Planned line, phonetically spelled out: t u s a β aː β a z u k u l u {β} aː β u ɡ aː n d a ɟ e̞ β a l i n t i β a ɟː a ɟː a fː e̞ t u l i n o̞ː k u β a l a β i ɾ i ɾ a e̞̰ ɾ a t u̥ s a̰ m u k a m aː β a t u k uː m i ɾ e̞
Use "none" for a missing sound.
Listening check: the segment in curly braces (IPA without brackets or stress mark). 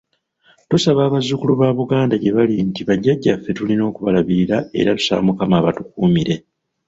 β